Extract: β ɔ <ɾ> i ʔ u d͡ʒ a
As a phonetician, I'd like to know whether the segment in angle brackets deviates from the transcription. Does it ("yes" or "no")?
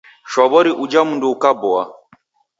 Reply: no